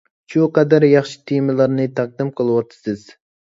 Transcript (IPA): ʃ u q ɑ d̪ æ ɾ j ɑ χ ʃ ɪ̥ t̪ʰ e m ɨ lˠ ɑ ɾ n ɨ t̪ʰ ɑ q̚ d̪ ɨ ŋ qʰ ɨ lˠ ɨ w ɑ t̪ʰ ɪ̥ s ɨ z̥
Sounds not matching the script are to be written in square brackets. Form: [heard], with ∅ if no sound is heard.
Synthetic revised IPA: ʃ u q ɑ d̪ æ ɾ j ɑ χ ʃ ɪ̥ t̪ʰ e m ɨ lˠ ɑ ɾ n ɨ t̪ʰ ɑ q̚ d̪ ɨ [m] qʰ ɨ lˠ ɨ w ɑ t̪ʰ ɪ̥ s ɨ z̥